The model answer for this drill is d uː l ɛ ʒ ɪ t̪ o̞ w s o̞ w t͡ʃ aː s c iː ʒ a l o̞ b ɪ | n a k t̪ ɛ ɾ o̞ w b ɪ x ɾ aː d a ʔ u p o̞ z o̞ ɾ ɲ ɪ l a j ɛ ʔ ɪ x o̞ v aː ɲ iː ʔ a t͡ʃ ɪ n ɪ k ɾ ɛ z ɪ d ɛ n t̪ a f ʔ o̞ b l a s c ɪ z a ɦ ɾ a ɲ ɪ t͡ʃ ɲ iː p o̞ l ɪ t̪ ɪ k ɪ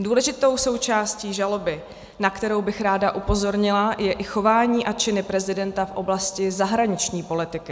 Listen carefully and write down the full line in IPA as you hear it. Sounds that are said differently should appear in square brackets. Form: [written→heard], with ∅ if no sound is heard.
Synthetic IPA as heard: d uː l ɛ ʒ ɪ t̪ o̞ w s o̞ w t͡ʃ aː s c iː ʒ a l o̞ b ɪ | n a k t̪ ɛ ɾ o̞ w b ɪ x ɾ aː d a ʔ u p o̞ z o̞ ɾ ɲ ɪ l a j ɛ ʔ ɪ x o̞ v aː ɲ iː ʔ a t͡ʃ ɪ n ɪ [k→p] ɾ ɛ z ɪ d ɛ n t̪ a f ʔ o̞ b l a s c ɪ z a ɦ ɾ a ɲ ɪ t͡ʃ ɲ iː p o̞ l ɪ t̪ ɪ k ɪ